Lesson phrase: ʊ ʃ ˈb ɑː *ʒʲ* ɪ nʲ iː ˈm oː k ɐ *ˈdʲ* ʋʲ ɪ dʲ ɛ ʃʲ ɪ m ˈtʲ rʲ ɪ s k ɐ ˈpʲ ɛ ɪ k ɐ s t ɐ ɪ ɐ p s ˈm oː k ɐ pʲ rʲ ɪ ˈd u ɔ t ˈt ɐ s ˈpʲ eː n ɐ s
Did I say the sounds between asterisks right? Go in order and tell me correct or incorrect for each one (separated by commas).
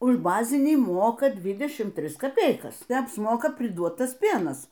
incorrect, correct